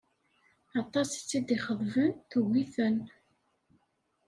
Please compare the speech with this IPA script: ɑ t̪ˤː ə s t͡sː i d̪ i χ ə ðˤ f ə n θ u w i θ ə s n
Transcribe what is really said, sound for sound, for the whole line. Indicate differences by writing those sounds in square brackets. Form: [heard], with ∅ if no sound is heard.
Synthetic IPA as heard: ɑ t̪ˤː [ɑ] s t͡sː i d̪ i χ ə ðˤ [v] ə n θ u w i θ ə [∅] n